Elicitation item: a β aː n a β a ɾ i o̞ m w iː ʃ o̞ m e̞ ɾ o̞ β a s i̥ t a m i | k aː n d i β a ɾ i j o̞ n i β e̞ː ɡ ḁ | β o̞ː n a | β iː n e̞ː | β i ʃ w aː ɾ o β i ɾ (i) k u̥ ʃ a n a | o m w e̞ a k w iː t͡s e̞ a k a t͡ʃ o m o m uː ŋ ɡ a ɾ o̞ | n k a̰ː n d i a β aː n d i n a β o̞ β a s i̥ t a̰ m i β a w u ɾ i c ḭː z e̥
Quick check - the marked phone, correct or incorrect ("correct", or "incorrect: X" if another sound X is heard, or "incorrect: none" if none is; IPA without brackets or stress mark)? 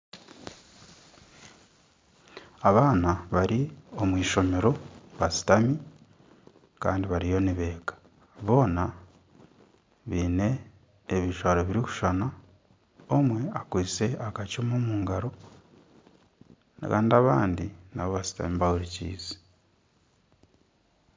correct